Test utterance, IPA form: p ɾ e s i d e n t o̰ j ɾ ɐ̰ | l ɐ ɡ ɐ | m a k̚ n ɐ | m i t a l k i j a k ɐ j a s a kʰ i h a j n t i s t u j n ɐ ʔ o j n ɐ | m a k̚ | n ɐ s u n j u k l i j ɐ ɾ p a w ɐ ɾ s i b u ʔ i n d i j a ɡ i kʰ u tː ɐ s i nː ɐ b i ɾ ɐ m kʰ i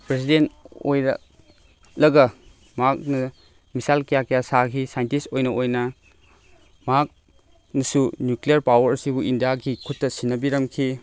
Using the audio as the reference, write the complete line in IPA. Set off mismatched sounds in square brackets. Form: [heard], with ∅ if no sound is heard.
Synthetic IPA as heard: p ɾ e s i d e n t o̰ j ɾ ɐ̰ | l ɐ ɡ ɐ | m a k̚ n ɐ | m i [s] a l k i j a k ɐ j a s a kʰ i [s] a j n t i s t [o] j n ɐ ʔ o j n ɐ | m a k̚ | n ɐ s u n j u k l i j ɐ ɾ p a w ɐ ɾ s i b u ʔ i n d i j a ɡ i kʰ u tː ɐ s i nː ɐ b i ɾ ɐ m kʰ i